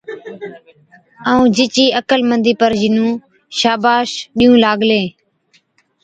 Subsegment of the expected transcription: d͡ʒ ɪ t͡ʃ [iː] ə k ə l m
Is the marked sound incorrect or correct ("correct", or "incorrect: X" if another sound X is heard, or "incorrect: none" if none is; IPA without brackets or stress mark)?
correct